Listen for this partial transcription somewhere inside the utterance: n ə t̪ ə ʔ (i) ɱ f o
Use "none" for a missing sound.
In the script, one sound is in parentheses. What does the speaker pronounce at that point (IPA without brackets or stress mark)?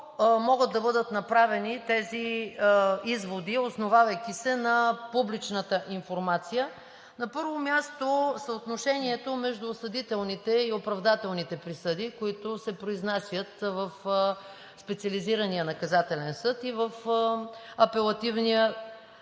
i